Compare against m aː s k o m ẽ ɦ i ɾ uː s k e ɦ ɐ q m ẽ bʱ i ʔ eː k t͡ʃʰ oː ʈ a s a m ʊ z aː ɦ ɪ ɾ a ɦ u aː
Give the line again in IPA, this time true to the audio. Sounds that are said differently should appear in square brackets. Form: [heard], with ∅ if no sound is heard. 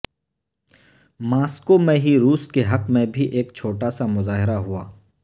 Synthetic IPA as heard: m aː s k o m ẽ ɦ i ɾ uː s k e ɦ ɐ q m ẽ bʱ i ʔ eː k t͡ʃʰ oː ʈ a s a m ʊ z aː ɦ ɪ ɾ a ɦ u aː